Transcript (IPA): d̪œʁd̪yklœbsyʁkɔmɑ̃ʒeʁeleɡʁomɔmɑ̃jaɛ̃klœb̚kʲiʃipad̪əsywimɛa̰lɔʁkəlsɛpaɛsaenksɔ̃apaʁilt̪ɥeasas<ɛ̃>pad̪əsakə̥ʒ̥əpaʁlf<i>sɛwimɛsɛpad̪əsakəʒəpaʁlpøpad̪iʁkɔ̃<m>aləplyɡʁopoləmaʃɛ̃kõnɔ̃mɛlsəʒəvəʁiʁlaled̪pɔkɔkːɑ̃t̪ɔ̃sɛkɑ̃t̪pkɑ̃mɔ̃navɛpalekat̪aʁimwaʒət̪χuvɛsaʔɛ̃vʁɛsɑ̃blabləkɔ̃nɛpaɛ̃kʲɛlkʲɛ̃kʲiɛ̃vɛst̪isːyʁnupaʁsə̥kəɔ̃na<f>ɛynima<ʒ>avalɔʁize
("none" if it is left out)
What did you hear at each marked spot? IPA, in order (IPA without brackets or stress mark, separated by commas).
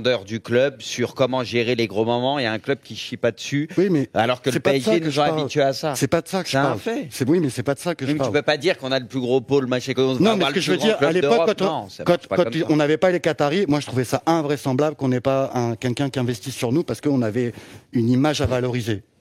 ɛ, ɛ, n, v, ʒ